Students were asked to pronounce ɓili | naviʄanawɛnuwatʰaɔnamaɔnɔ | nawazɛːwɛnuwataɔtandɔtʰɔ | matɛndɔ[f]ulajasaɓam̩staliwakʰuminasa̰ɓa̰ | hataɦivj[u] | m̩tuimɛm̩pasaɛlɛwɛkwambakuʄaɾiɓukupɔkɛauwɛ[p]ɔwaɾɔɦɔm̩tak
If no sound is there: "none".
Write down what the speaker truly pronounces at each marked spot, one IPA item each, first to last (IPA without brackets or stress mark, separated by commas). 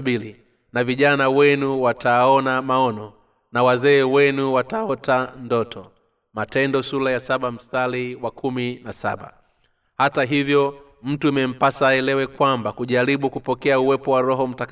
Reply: s, ɔ, p